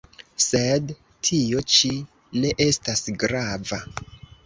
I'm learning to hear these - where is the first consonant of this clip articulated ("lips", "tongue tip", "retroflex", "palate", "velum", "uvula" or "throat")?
tongue tip